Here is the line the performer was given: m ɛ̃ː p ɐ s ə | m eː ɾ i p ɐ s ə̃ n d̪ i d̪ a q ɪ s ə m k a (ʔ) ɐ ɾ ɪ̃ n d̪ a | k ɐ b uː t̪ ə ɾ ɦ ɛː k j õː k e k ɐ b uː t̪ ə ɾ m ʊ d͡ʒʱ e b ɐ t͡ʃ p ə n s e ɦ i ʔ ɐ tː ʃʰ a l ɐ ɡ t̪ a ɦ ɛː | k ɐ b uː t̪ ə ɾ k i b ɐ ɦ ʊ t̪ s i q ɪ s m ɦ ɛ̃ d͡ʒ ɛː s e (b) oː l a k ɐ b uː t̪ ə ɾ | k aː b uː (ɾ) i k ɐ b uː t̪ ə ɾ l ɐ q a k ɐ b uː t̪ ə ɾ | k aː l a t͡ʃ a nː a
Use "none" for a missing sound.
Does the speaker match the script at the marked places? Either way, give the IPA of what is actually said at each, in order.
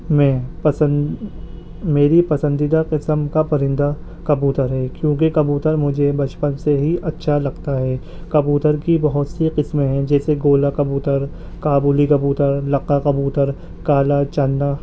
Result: p, ɡ, l

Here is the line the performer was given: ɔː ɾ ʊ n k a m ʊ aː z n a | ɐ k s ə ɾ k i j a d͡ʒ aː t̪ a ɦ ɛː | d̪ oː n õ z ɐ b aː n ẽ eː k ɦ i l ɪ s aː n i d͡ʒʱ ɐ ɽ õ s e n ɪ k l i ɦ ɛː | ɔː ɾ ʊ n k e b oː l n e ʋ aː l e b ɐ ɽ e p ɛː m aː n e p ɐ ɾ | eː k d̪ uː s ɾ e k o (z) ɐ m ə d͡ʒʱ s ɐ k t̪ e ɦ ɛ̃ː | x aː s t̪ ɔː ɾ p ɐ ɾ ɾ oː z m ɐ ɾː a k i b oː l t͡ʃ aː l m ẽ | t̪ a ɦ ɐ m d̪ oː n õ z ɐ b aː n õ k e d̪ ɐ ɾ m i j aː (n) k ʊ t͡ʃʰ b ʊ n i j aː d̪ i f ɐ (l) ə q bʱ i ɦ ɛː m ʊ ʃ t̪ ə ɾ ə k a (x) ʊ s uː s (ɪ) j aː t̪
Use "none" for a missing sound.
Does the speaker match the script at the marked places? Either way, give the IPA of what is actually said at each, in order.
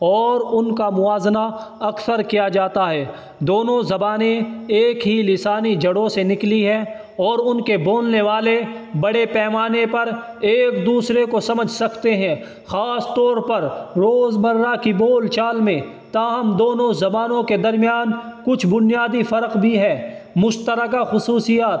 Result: s, n, ɾ, x, i

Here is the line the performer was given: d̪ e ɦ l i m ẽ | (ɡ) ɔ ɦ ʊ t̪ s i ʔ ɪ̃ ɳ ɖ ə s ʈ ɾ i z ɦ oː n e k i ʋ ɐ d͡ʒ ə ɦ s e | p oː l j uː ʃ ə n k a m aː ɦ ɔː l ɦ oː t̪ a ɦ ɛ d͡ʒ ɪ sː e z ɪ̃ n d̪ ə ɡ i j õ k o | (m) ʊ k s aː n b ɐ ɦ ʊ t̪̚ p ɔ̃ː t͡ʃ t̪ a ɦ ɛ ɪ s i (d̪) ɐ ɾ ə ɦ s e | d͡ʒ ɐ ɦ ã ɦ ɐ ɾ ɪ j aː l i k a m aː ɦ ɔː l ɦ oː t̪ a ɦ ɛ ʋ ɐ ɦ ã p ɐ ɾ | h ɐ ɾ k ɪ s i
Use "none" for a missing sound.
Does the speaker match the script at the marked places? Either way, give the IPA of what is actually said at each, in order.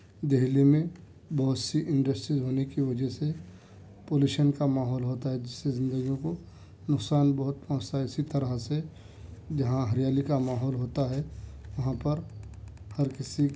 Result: b, n, t̪

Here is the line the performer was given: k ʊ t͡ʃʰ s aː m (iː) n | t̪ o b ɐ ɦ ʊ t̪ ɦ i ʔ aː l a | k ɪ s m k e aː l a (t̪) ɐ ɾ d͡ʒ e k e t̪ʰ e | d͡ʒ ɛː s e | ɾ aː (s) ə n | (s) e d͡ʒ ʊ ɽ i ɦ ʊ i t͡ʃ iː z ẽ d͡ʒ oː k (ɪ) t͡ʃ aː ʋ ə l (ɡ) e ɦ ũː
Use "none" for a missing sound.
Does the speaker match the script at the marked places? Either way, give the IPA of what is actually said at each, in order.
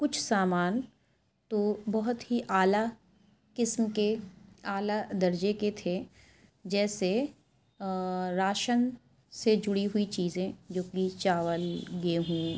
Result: aː, d̪, ʃ, s, i, ɡ

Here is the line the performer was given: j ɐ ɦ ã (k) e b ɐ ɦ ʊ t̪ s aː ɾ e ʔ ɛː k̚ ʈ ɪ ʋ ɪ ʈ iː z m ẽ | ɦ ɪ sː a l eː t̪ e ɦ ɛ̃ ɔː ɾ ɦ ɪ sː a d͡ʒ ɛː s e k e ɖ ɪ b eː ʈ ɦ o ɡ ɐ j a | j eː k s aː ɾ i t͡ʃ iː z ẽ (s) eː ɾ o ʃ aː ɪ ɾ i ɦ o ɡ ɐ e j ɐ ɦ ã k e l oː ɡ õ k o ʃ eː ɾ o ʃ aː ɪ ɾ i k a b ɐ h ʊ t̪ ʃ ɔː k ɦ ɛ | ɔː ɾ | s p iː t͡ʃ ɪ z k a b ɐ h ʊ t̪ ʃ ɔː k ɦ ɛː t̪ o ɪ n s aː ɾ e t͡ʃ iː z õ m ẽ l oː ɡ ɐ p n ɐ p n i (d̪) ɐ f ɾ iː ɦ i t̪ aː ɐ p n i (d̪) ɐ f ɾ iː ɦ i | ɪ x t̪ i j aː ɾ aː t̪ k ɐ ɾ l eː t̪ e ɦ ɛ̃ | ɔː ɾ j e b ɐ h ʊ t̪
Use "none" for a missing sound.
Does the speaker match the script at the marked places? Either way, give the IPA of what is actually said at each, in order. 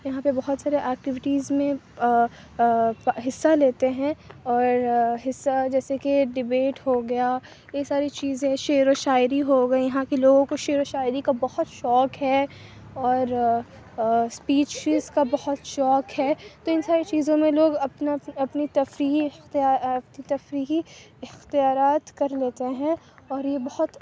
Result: p, ʃ, t̪, t̪

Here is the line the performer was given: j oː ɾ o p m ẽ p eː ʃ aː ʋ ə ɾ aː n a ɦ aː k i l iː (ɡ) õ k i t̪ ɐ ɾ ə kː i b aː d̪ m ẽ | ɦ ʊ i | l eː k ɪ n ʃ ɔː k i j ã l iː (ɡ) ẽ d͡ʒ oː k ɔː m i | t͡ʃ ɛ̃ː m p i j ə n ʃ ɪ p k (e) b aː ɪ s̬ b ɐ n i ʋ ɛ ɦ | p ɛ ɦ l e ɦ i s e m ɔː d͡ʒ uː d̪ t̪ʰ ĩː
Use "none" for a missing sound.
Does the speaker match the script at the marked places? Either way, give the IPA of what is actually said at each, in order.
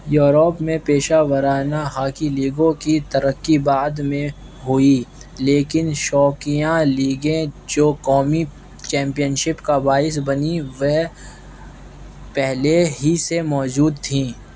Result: ɡ, ɡ, a

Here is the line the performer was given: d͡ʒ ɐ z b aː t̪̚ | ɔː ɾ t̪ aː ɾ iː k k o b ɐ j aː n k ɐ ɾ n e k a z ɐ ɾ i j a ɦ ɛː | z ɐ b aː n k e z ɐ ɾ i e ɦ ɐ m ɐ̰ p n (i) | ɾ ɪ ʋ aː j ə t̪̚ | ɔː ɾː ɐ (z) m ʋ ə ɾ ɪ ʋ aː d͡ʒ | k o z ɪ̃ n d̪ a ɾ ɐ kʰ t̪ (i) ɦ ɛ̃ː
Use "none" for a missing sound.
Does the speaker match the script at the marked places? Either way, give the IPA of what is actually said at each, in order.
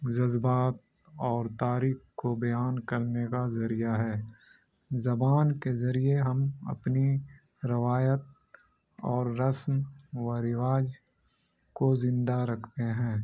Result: i, s, e

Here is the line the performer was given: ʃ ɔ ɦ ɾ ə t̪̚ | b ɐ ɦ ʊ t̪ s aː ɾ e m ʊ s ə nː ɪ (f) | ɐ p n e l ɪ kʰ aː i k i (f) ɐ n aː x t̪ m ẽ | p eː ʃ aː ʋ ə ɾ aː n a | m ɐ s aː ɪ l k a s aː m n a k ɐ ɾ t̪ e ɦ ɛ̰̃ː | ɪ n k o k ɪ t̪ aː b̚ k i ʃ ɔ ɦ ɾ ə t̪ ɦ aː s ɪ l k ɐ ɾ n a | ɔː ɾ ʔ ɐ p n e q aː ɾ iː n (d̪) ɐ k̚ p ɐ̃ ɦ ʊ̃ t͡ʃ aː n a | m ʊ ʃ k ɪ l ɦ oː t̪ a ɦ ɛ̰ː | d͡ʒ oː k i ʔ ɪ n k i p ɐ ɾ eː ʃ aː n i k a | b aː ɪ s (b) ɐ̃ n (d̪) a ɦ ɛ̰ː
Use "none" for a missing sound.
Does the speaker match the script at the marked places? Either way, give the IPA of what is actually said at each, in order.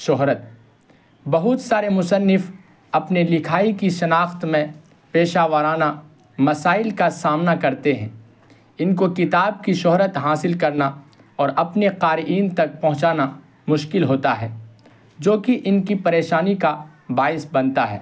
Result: f, ʃ, t̪, b, t̪

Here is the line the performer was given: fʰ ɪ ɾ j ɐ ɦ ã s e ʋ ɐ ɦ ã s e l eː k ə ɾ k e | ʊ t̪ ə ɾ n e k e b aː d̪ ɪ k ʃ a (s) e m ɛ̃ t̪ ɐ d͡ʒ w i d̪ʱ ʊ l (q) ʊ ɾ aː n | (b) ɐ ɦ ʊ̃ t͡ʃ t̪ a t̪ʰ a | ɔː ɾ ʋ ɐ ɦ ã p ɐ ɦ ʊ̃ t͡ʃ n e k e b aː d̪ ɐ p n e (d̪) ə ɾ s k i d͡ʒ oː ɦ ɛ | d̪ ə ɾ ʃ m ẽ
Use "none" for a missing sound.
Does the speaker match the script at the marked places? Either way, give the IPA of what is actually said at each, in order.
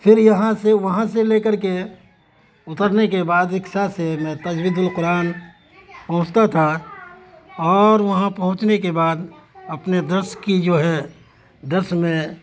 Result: s, q, p, d̪

